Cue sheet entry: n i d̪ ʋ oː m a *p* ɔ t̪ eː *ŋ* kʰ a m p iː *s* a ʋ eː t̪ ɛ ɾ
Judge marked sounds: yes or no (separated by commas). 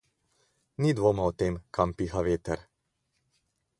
no, no, no